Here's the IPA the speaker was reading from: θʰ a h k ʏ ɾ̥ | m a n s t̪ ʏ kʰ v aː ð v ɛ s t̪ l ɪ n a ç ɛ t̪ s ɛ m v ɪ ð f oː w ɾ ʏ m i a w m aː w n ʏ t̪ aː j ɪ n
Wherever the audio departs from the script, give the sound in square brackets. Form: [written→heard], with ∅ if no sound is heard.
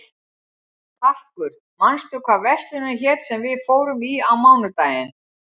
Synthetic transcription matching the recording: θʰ a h k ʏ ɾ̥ | m a n s t̪ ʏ kʰ v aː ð v ɛ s t̪ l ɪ n a ç ɛ t̪ s ɛ m v ɪ ð f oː w ɾ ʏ m i a w m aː w n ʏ t̪ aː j ɪ n